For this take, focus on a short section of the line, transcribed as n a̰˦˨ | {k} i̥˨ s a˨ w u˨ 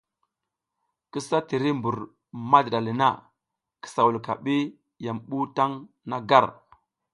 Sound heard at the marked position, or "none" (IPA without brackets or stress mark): k